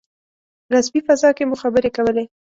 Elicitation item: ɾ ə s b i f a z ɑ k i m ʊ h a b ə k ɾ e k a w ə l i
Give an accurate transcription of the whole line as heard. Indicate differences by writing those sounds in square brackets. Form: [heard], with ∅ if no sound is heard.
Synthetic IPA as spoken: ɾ [a] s b i f a z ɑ k [e] m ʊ [x] a b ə [∅] ɾ e k a w ə l [e]